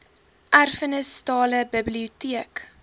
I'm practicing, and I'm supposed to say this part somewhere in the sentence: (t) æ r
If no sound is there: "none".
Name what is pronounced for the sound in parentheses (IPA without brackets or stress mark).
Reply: ʔ